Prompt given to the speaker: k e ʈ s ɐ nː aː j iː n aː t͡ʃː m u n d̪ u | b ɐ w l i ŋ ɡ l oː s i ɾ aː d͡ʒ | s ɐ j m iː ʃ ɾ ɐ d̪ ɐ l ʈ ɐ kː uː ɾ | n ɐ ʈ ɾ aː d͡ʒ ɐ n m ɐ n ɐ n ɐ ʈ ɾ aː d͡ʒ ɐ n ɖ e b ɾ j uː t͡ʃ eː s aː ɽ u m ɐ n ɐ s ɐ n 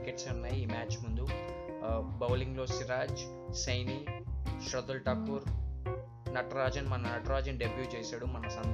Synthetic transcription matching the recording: k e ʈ s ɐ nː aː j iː m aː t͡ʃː m u n d̪ u | b ɐ w l i ŋ ɡ l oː s i ɾ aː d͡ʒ | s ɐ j n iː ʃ ɾ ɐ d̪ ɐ l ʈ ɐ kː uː ɾ | n ɐ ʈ ɾ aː d͡ʒ ɐ n m ɐ n ɐ n ɐ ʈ ɾ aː d͡ʒ ɐ n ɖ e b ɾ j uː t͡ʃ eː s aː ɽ u m ɐ n ɐ s ɐ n